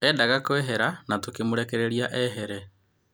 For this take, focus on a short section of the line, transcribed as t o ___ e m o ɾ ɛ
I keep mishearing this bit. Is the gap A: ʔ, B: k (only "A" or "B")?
B